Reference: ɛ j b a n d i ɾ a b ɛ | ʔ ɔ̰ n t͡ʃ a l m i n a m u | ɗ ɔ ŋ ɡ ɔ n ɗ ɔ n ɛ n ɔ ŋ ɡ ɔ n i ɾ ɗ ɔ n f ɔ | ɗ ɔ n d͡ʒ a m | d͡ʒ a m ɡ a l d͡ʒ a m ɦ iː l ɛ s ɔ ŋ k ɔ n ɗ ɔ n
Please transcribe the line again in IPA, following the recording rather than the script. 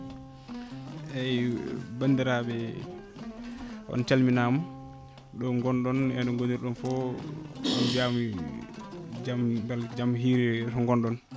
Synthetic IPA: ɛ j b a n d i ɾ a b ɛ | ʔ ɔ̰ n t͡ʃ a l m i n a m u | ɗ ɔ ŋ ɡ ɔ n ɗ ɔ n ɛ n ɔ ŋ ɡ o n i ɾ ɗ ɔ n f ɔ | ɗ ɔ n d͡ʒ a m | d͡ʒ a m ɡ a l d͡ʒ a m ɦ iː ɾ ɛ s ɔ ŋ ɡ ɔ n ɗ ɔ n